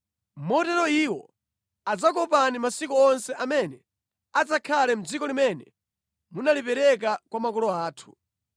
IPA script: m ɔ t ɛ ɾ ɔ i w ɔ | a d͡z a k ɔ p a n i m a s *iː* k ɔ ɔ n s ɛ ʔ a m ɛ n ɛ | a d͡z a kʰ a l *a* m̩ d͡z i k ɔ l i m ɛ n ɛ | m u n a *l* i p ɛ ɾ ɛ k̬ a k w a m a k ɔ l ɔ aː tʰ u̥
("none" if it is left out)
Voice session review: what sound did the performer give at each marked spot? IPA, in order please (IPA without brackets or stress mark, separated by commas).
i, ɛ, l